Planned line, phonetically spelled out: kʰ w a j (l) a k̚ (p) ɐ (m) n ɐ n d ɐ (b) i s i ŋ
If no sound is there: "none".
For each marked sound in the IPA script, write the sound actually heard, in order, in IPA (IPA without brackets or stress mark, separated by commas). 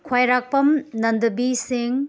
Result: ɾ, p, m, b